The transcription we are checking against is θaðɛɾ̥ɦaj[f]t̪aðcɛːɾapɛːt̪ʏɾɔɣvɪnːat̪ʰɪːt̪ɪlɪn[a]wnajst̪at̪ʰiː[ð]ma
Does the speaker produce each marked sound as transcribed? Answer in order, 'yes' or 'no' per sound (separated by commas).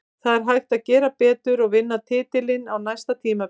no, yes, no